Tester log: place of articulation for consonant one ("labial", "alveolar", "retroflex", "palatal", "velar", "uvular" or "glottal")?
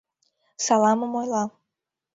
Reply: alveolar